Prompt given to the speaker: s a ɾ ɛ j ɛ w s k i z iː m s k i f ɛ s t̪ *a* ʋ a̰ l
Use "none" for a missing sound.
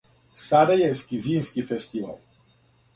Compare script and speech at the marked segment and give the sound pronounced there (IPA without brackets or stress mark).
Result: i